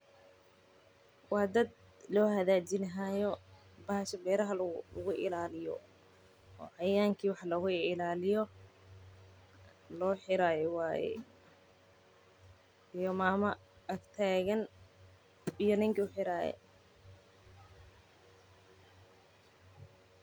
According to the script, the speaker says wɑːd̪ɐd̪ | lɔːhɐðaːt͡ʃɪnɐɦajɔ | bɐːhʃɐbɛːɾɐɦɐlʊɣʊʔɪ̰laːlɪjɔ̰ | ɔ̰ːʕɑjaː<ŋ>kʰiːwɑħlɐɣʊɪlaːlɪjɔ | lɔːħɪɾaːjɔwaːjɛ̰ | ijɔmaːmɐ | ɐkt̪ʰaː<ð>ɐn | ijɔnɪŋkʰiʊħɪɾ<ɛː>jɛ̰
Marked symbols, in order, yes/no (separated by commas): yes, no, no